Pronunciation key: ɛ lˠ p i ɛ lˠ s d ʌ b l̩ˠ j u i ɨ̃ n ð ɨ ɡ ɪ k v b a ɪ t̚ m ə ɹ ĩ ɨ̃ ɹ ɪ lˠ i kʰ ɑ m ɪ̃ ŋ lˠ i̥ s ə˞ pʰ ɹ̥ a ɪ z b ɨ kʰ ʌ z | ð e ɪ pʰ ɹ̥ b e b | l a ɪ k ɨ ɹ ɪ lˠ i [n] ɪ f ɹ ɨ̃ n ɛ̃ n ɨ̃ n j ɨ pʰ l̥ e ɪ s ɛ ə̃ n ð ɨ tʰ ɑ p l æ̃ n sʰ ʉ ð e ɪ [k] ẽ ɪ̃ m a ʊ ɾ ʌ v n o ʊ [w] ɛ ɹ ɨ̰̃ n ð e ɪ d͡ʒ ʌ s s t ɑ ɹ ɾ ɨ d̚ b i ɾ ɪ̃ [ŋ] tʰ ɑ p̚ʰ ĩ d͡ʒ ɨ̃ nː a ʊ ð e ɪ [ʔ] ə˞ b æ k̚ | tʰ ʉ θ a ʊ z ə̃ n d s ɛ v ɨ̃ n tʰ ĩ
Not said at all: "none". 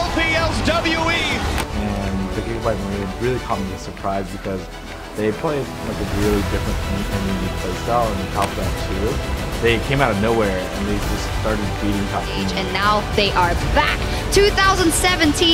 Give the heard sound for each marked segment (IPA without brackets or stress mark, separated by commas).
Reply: d, kʰ, w, ŋ, ʔ